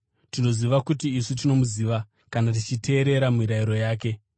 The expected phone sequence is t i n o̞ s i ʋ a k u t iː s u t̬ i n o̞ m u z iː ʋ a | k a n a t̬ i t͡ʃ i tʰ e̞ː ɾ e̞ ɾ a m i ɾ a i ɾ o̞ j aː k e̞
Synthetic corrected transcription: t i n o̞ z i ʋ a k u t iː s u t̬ i n o̞ m u z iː ʋ a | k a n a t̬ i t͡ʃ i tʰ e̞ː ɾ e̞ ɾ a m i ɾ a i ɾ o̞ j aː k e̞